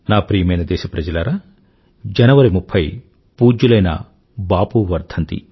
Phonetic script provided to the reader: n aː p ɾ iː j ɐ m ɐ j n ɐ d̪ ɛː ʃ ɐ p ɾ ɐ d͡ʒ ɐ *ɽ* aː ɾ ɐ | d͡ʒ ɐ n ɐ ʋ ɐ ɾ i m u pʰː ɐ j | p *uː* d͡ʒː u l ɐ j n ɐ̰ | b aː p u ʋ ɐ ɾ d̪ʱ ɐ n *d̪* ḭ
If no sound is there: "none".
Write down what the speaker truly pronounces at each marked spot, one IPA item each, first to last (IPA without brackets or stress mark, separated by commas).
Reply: l, uː, t̪